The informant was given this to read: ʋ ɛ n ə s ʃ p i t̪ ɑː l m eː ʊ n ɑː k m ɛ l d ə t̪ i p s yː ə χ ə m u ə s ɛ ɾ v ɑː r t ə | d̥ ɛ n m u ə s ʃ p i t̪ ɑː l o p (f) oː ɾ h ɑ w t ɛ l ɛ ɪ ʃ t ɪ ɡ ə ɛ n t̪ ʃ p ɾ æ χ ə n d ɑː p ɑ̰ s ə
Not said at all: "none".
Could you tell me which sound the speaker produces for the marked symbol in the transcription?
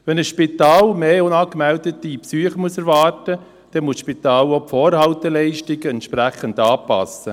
f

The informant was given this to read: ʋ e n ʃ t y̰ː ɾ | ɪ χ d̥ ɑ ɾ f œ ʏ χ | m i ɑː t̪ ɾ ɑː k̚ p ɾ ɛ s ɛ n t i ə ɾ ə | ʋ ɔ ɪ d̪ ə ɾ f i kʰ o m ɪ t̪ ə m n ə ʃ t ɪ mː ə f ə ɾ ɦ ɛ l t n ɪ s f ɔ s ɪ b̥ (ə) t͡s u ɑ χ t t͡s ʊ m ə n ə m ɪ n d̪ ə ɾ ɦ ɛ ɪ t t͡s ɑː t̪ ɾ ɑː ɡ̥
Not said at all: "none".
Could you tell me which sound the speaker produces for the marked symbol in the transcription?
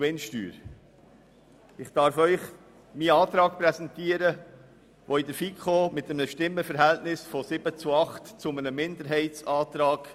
ə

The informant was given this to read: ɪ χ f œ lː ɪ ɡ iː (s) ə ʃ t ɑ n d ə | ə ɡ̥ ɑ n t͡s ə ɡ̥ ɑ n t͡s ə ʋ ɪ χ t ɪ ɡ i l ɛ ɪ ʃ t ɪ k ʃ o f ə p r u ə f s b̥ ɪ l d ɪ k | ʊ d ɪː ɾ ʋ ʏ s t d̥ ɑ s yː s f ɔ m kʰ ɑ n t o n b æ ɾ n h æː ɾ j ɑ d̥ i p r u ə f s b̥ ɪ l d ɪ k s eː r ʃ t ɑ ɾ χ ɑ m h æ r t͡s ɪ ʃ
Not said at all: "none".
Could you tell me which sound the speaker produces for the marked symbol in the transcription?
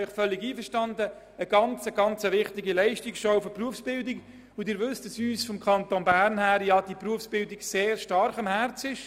f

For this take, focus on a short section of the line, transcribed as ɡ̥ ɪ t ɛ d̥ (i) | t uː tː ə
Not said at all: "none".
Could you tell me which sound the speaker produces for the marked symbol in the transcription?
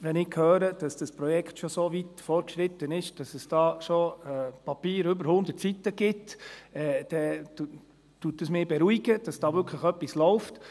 ɛ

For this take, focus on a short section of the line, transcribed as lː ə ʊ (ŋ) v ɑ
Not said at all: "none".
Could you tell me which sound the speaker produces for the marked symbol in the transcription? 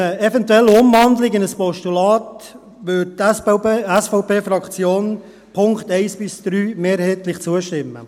m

